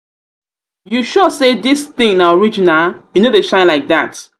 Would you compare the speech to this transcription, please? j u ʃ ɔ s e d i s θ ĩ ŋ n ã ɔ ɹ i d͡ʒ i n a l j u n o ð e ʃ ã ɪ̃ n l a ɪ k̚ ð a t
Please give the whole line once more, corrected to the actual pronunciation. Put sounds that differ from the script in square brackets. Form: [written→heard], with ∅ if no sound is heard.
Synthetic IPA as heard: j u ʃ ɔ s e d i s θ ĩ ŋ n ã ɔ ɹ i d͡ʒ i n a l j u n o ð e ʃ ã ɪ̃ n l a ɪ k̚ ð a t